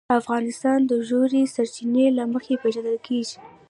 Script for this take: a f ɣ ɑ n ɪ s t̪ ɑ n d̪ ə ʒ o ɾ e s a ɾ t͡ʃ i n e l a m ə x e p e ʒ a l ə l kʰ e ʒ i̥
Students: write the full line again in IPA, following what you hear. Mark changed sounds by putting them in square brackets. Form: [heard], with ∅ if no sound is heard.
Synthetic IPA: a f ɣ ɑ n ɪ s t̪ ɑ n d̪ ə ʒ o ɾ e s a ɾ t͡ʃ i n e l a m ə x e p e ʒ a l ə l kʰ e ʒ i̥

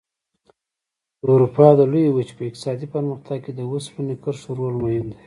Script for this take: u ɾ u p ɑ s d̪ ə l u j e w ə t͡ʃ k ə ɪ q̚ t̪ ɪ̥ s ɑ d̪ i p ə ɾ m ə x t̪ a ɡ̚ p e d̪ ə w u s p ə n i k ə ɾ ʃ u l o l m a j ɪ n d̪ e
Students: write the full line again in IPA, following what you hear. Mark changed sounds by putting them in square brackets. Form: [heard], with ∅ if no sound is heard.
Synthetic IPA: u ɾ u p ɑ [∅] d̪ ə l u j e w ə t͡ʃ [p] ə ɪ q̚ t̪ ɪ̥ s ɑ d̪ i p ə ɾ m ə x t̪ a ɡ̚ [k] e d̪ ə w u s p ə n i k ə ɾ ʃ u [ɾ] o l m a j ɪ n d̪ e

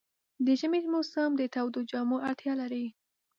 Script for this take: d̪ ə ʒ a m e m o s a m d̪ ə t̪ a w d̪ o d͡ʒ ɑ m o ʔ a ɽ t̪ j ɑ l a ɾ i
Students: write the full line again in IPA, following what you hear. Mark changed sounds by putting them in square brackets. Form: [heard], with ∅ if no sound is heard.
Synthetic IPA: d̪ ə ʒ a m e m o s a m d̪ ə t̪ a w d̪ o d͡ʒ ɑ m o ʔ a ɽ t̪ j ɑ l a ɾ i

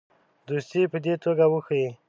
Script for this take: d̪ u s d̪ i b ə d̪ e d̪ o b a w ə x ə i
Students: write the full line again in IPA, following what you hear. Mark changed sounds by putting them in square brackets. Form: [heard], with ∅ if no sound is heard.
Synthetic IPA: d̪ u s [t̪] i [p] ə d̪ e [t̪] o [ɡ] a w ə x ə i

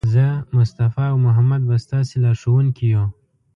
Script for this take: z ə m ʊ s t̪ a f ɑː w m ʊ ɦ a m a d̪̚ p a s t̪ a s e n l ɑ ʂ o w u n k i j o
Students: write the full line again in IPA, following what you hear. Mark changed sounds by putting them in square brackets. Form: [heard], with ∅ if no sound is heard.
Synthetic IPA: z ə m ʊ s t̪ a f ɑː w m ʊ ɦ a m a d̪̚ [b] a s t̪ [ɑ] s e [∅] l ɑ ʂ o w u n k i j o

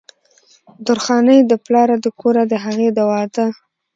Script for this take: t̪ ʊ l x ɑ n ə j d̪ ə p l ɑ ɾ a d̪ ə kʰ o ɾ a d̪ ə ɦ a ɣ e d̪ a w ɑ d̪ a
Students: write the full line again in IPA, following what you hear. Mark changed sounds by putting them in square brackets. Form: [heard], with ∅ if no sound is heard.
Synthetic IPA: [d̪] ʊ [ɾ] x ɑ n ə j d̪ ə p l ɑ ɾ a d̪ ə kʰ o ɾ a d̪ ə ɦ a ɣ e d̪ a w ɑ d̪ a

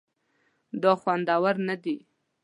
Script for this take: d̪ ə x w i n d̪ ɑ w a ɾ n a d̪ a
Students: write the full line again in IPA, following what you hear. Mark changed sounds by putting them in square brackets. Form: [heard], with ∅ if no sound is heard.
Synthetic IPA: d̪ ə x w [a] n d̪ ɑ w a ɾ n a d̪ [i]

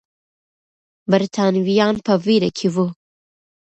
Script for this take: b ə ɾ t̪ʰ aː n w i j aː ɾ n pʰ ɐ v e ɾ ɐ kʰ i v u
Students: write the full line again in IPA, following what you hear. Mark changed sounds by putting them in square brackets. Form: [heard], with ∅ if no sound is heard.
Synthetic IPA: b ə ɾ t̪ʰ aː n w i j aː [∅] n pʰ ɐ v [i] ɾ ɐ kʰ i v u

